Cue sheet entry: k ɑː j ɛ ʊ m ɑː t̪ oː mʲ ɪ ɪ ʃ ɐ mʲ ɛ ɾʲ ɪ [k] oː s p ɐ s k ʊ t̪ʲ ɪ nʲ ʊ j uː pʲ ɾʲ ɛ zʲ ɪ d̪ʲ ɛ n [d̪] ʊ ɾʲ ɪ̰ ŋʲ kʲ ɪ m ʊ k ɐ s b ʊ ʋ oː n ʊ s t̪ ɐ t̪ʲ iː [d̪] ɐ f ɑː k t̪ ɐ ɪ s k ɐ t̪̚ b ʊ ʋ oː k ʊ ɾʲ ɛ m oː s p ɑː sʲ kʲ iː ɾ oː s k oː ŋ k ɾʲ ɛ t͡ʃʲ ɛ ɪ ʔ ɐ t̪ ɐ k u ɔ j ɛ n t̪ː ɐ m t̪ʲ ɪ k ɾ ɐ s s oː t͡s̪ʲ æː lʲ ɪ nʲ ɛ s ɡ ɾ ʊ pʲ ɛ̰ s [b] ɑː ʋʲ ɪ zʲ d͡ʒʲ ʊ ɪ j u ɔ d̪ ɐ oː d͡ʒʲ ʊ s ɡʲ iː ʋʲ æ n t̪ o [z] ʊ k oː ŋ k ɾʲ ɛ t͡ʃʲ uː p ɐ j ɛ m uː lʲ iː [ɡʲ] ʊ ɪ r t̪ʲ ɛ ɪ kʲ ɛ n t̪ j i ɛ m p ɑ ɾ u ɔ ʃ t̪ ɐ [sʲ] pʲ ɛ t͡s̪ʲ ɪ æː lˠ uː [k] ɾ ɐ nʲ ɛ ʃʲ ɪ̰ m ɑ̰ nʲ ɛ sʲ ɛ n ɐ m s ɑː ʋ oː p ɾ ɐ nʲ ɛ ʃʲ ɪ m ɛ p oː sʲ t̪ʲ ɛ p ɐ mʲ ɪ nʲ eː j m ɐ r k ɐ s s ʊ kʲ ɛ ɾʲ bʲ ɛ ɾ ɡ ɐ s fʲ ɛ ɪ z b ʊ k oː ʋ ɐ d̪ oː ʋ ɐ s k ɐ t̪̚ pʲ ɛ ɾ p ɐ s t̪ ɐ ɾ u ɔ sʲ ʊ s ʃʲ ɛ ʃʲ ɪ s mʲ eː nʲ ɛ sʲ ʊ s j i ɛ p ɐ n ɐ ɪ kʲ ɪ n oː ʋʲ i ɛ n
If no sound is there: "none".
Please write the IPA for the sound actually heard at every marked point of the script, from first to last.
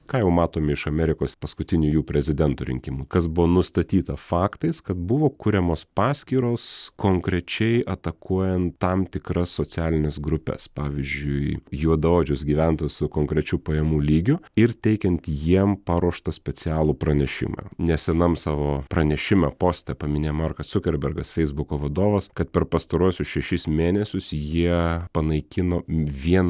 k, t̪, t̪, p, s, ɡʲ, sʲ, p

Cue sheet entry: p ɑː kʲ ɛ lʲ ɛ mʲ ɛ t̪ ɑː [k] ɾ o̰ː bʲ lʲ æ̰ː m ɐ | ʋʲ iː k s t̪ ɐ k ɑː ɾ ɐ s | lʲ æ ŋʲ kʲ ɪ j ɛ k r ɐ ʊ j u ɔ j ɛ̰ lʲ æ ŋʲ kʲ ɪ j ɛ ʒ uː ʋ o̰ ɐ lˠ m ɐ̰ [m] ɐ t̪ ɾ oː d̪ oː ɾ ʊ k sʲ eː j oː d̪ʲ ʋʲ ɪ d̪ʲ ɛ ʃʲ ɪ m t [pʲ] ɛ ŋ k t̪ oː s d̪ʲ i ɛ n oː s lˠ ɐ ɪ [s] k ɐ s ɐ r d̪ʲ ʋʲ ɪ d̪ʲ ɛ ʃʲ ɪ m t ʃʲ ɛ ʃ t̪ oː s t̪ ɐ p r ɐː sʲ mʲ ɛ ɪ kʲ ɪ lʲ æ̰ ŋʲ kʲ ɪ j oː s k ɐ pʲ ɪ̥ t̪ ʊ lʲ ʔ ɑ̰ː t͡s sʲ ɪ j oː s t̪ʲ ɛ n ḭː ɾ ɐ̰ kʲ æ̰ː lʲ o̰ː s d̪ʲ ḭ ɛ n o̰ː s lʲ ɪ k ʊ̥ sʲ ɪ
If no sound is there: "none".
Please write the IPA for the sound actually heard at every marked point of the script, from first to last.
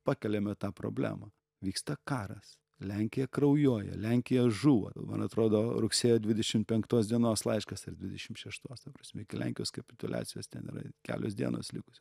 p, n, pʲ, ʃ

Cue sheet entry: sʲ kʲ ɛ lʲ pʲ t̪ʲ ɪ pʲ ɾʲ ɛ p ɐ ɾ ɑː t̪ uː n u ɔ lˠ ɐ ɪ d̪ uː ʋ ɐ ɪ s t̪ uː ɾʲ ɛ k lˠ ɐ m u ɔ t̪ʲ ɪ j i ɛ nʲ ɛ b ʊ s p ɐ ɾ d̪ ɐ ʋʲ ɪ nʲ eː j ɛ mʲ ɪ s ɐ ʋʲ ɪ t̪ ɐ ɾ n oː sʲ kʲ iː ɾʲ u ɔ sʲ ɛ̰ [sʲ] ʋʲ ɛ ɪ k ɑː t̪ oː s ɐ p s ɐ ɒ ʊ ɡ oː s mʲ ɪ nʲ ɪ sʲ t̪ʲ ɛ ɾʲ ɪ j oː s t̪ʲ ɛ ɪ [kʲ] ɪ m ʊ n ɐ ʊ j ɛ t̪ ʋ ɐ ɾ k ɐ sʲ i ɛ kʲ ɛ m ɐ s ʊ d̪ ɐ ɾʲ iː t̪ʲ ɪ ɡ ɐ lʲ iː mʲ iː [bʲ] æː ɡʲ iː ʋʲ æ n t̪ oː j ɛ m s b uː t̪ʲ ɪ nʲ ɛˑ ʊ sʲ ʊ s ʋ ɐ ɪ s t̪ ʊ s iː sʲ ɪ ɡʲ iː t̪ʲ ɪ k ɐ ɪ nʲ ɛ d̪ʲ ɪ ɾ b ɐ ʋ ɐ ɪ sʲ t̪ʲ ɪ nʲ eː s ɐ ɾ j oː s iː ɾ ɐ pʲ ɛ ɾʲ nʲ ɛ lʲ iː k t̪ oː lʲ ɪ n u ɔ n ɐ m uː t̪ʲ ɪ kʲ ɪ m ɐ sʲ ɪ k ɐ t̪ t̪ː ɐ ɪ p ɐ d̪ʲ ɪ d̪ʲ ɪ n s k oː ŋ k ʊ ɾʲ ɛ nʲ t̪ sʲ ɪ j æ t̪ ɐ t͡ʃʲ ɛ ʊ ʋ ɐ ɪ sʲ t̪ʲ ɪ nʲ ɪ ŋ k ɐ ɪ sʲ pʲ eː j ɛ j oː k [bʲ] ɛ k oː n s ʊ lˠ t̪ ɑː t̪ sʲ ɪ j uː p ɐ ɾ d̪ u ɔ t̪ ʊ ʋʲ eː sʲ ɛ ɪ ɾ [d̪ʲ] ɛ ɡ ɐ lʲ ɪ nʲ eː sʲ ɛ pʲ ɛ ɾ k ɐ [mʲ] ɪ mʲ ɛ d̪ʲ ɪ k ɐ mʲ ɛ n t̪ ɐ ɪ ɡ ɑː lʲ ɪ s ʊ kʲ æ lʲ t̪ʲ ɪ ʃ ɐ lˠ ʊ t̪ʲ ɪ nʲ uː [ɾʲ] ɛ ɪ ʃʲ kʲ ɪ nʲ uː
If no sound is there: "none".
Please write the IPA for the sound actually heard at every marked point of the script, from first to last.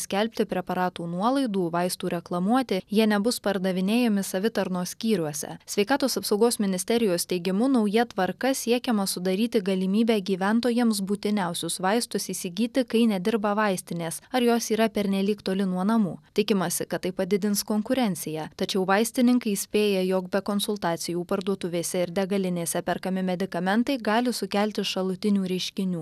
sʲ, ɡʲ, bʲ, bʲ, d̪ʲ, mʲ, ɾʲ

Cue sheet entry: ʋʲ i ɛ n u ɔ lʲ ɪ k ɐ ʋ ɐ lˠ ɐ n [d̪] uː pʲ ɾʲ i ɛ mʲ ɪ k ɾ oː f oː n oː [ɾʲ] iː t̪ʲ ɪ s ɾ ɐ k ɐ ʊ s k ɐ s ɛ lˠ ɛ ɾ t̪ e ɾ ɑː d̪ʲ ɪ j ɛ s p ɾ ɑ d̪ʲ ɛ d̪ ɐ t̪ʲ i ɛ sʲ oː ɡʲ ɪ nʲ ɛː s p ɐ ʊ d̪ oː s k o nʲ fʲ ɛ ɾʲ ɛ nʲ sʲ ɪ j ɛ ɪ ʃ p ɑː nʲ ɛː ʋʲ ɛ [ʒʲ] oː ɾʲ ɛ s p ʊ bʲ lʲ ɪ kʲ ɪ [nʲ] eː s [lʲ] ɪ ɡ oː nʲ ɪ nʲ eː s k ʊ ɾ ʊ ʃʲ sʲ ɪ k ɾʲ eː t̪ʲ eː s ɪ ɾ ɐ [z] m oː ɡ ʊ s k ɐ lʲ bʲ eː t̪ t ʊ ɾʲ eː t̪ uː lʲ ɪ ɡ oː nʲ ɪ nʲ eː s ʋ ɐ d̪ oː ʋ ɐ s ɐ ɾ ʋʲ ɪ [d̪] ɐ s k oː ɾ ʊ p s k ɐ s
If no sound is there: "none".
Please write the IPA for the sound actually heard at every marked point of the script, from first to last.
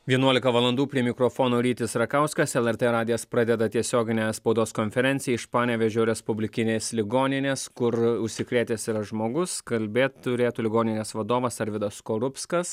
d̪, ɾʲ, ʒʲ, nʲ, lʲ, ʒ, d̪

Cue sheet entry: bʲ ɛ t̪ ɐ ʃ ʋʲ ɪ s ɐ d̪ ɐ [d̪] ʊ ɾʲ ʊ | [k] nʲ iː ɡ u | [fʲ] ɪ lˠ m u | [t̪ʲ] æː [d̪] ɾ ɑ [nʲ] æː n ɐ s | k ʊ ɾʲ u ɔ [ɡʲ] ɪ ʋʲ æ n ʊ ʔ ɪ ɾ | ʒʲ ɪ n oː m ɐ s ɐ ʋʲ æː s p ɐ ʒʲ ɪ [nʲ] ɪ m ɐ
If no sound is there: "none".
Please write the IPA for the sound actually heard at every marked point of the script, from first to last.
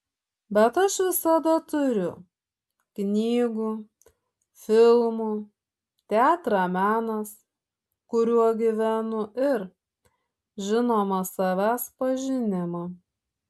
t̪, k, fʲ, t̪ʲ, t̪, mʲ, ɡʲ, nʲ

